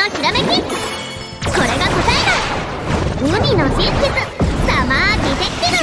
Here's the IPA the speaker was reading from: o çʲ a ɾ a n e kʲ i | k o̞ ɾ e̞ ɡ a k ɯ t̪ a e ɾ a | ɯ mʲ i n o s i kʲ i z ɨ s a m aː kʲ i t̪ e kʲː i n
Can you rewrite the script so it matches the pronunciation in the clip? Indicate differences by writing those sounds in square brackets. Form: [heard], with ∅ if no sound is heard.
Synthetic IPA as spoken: o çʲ [i] ɾ a [m] e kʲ i | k o̞ ɾ e̞ ɡ a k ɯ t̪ a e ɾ a | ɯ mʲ i n o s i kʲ i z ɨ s a m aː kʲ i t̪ e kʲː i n